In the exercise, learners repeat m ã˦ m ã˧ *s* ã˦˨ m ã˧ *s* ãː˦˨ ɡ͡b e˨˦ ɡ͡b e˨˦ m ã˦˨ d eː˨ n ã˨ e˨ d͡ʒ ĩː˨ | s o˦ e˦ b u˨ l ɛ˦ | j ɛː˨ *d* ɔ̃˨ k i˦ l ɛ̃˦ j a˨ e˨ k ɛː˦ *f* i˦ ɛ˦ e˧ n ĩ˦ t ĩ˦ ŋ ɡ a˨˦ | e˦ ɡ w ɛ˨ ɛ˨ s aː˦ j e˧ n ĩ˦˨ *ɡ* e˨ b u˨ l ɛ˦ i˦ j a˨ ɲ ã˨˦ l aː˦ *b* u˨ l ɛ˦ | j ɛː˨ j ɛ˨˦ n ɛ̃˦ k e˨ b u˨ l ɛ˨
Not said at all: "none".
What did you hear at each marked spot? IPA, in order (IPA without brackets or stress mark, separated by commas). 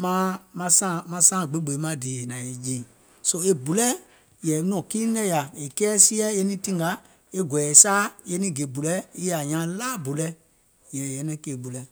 s, s, n, s, ɡ, b